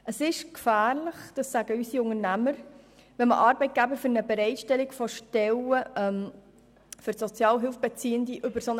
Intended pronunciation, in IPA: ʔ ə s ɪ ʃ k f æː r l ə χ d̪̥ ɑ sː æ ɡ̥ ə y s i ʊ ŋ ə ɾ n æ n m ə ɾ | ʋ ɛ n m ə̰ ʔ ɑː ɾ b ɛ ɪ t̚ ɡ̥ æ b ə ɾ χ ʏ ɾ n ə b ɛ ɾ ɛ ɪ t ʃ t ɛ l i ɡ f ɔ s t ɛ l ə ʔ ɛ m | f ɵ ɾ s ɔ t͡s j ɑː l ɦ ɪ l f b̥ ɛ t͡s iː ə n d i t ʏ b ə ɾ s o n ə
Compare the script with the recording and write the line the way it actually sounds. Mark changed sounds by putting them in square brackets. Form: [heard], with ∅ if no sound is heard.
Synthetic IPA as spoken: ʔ ə s ɪ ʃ k f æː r l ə χ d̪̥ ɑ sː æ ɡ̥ ə y s i ʊ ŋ ə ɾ n æ [∅] m ə ɾ | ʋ ɛ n m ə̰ ʔ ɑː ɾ b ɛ ɪ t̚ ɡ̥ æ b ə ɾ [f] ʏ ɾ n ə b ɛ ɾ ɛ ɪ t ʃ t ɛ l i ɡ f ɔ [ʃ] t ɛ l ə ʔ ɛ m | f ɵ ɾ s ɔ t͡s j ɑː l ɦ ɪ l f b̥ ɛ t͡s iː ə n d i [ʔ] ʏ b ə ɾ s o n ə